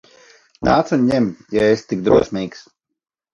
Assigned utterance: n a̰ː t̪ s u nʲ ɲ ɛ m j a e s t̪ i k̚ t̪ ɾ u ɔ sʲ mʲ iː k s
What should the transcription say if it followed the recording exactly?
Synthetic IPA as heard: n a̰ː t̪ s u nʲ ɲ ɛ m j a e s t̪ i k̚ d̪ ɾ u ɔ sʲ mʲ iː k s